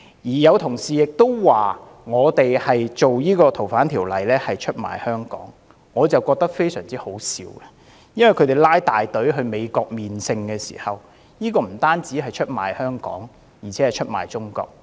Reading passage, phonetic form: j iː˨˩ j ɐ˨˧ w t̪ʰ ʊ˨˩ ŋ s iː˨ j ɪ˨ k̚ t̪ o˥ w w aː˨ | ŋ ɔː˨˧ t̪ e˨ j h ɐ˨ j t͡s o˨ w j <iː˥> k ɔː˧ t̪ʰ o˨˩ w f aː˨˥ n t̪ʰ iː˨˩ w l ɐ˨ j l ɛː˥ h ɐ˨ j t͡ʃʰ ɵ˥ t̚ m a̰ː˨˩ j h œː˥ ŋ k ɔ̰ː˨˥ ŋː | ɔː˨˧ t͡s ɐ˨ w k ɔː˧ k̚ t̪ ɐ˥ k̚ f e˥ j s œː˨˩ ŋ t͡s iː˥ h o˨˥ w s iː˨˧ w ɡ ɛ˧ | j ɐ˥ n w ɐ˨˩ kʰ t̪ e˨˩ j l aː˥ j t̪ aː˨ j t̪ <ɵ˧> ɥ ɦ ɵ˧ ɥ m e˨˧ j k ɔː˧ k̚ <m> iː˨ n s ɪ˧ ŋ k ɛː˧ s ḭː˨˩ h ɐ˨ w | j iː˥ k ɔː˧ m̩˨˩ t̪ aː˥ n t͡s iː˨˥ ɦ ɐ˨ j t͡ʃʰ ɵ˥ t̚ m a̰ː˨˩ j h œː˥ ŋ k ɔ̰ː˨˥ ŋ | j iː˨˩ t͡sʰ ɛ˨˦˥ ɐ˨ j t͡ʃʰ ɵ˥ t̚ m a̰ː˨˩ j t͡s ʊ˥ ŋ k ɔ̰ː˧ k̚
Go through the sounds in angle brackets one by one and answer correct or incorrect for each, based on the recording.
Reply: correct, incorrect, correct

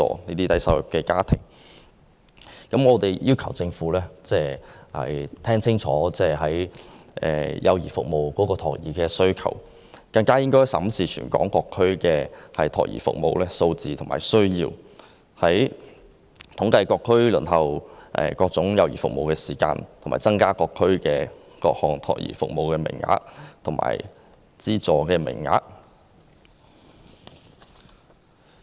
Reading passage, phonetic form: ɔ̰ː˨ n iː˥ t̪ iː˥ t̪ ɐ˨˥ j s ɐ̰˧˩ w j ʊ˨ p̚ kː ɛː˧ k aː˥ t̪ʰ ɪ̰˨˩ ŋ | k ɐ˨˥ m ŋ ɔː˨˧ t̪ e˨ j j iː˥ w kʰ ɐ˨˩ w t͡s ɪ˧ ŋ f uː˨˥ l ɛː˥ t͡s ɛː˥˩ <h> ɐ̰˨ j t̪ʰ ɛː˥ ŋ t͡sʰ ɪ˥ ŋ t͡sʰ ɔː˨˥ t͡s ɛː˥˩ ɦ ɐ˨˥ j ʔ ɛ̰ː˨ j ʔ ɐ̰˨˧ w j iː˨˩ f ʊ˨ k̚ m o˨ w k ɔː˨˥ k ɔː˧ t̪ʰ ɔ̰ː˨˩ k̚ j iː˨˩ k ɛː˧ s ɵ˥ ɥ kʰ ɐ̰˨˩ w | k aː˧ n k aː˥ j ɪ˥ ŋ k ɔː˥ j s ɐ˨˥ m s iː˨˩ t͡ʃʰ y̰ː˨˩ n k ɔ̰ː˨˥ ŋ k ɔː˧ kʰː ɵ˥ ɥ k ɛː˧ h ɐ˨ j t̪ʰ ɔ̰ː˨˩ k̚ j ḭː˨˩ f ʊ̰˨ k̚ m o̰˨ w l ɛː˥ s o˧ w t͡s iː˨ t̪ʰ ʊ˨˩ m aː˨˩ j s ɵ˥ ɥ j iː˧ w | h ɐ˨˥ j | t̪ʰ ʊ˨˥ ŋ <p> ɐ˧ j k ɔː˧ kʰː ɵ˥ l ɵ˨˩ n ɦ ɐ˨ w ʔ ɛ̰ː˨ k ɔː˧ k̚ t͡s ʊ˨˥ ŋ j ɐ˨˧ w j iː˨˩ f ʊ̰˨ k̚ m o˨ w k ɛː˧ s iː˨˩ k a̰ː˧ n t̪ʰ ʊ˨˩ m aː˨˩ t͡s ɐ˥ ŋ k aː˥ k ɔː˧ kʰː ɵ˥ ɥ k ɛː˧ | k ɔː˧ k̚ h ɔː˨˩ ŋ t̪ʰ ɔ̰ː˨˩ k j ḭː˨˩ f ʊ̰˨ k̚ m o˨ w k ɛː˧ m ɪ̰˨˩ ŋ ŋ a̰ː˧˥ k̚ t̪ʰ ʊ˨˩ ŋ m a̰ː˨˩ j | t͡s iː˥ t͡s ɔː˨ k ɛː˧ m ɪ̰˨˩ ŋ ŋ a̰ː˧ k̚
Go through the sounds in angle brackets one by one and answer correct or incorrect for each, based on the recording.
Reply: correct, incorrect

